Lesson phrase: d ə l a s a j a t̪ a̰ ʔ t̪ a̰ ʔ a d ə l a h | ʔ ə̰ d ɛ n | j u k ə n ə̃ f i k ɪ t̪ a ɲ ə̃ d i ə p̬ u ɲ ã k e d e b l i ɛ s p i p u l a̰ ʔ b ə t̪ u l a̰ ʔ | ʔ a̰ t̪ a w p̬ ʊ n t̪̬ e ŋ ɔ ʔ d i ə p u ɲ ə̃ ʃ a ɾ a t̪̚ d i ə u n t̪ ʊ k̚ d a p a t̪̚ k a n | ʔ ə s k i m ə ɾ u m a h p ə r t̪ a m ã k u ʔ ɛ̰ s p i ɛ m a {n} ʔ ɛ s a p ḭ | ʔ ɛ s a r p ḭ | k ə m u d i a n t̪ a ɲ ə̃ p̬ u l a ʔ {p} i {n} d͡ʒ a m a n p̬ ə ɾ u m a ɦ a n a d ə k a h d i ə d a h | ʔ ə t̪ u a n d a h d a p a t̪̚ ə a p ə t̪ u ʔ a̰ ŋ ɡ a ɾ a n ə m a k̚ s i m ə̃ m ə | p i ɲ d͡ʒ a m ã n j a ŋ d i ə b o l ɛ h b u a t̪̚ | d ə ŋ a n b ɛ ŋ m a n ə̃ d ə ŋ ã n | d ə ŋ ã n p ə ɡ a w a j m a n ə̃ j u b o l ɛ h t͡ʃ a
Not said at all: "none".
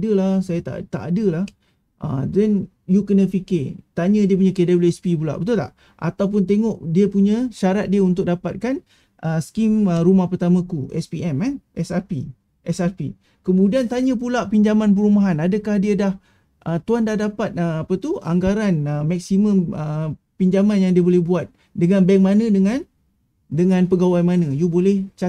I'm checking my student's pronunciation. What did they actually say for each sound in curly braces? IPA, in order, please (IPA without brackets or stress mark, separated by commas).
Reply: n, p, ɲ